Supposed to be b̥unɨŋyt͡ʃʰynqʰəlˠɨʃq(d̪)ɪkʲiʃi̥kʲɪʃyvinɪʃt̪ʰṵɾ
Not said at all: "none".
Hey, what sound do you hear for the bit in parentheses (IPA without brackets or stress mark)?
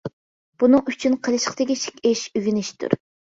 t̪